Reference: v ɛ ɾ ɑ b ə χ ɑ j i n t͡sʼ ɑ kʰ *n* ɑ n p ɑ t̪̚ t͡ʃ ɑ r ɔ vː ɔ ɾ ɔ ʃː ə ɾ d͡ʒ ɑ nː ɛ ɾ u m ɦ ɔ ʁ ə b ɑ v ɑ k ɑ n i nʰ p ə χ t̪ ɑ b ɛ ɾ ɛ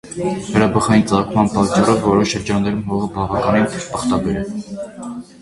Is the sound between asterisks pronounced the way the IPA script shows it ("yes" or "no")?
no